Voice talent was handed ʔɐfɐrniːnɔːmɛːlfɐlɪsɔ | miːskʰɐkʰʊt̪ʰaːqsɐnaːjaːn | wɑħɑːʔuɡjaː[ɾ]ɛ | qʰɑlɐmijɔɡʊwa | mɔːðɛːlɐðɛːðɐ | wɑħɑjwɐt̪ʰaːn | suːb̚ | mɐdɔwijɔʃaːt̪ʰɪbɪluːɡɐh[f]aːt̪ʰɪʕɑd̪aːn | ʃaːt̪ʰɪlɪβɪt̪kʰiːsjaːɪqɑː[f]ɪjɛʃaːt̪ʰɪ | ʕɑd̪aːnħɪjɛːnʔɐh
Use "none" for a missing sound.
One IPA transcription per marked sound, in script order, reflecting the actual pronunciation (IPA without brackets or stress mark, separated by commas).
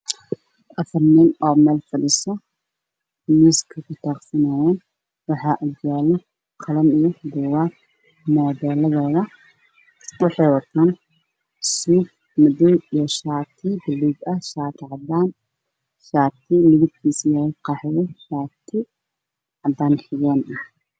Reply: l, ʃ, ħ